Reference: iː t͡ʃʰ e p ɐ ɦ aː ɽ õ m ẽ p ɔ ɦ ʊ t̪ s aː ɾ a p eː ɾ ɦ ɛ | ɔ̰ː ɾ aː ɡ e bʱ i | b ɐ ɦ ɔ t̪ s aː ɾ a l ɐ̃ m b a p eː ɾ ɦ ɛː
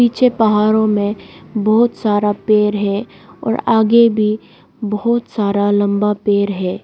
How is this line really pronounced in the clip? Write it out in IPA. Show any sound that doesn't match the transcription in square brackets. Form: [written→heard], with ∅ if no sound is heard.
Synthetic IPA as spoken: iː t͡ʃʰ e p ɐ ɦ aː [ɽ→ɾ] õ m ẽ [p→b] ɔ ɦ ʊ t̪ s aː ɾ a p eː ɾ ɦ ɛ | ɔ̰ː ɾ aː ɡ e bʱ i | b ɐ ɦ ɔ t̪ s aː ɾ a l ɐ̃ m b a p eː ɾ ɦ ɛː